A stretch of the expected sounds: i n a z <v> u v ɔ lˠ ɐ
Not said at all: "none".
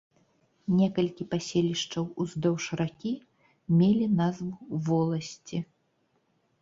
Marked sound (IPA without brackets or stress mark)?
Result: v